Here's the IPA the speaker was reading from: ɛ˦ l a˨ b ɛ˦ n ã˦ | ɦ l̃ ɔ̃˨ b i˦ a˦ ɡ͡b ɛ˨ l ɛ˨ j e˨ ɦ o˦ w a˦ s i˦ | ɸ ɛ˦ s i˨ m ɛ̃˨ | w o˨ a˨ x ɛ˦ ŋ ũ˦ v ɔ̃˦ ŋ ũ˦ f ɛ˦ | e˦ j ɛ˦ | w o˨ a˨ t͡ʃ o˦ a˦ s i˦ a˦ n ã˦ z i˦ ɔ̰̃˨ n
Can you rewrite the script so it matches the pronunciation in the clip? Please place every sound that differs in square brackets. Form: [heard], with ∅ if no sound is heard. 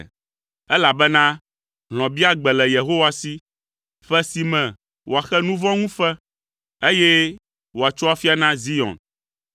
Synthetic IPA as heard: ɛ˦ l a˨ b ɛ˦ n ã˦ | ɦ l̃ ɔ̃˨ b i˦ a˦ ɡ͡b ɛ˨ l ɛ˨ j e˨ ɦ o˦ w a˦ s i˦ | ɸ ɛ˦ s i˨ m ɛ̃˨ | w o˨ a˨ x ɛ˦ [n] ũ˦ v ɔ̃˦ ŋ ũ˦ f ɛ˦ | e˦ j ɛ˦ | w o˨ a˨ t͡ʃ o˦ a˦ [f] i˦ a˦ n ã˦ z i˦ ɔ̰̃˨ n

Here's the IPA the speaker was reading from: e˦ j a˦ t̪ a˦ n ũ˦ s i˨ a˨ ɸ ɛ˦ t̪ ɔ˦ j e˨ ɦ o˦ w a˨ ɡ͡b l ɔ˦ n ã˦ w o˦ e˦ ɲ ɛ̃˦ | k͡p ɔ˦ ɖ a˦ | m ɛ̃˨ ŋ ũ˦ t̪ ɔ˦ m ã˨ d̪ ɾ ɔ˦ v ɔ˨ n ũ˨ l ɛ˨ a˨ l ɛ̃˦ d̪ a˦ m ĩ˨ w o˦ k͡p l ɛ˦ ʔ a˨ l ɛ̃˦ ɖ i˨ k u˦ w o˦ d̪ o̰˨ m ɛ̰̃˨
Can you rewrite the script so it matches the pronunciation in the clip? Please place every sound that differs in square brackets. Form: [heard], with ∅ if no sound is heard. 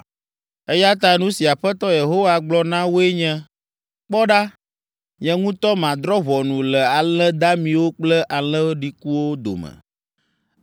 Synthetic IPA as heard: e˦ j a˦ t̪ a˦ n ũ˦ s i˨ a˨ ɸ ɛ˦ t̪ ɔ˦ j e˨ ɦ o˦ w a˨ ɡ͡b l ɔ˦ n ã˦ w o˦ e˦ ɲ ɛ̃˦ | k͡p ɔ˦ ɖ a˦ | [ɲ] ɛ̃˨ ŋ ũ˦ t̪ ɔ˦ m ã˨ d̪ ɾ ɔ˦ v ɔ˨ n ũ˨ l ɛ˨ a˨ l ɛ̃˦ d̪ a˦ m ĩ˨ w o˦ k͡p l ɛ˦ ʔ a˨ l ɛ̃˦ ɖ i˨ k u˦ w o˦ d̪ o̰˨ m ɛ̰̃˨

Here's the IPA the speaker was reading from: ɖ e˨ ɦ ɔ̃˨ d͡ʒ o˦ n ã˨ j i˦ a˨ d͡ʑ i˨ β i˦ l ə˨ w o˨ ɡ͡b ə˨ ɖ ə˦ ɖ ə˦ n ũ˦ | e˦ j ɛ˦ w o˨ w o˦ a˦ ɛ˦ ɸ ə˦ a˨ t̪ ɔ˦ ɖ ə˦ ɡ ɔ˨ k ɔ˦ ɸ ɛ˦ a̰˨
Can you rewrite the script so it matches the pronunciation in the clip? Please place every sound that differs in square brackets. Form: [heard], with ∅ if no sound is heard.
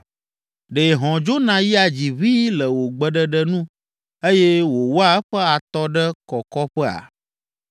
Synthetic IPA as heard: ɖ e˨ ɦ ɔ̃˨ d͡ʒ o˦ n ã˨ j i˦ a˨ d͡ʑ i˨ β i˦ l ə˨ w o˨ ɡ͡b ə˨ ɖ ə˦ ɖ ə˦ n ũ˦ | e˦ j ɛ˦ w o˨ w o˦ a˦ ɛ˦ ɸ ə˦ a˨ t̪ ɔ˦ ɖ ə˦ [k] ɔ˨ k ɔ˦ ɸ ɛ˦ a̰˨

